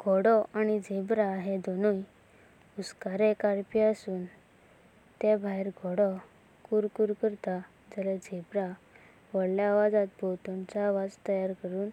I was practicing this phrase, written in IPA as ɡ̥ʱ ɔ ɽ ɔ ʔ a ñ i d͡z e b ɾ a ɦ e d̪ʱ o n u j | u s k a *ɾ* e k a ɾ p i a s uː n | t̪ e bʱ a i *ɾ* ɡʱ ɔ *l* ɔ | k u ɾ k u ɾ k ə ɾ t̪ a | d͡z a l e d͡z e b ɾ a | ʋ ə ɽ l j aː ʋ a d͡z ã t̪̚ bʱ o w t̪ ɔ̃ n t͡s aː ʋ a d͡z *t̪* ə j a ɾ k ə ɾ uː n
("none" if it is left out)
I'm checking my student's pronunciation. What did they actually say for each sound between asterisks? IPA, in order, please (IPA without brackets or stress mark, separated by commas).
ɾ, ɾ, ɽ, t̪